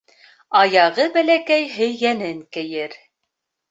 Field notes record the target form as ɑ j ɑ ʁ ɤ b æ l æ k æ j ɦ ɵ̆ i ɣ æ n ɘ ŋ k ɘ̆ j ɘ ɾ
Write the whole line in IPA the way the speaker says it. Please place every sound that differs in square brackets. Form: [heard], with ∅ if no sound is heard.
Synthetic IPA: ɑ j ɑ ʁ ɤ b æ l æ k æ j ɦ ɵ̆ [j] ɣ æ n ɘ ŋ k ɘ̆ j ɘ ɾ